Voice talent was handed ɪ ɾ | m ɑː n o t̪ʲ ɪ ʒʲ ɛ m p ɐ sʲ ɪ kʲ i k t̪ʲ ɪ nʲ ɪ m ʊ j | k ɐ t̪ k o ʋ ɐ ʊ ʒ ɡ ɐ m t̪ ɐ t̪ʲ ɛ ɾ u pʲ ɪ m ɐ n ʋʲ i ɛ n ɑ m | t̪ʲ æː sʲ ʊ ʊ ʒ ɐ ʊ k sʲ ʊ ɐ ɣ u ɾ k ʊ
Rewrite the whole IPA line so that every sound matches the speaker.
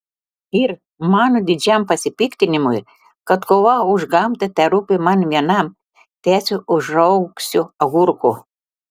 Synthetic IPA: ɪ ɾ | m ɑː n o d̪ʲ ɪ d͡ʒʲ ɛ m p ɐ sʲ ɪ pʲ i k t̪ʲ ɪ nʲ ɪ m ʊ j | k ɐ t̪ k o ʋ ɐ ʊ ʒ ɡ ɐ m t̪ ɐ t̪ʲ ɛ ɾ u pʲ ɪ m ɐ n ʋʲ i ɛ n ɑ m | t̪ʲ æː sʲ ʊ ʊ ʒ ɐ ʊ k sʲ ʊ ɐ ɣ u ɾ k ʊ